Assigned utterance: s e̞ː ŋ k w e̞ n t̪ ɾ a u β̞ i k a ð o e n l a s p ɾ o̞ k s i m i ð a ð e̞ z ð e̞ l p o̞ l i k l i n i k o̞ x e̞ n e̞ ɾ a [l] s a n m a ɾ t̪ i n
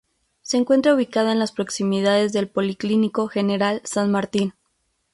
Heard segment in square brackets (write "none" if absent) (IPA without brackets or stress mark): l